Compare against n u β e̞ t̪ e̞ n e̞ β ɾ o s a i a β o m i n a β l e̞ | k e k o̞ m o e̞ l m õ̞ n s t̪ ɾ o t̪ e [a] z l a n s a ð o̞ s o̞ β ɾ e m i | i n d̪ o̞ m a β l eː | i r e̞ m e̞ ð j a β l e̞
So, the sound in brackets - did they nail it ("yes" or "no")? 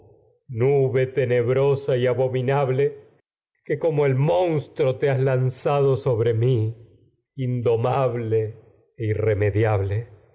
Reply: yes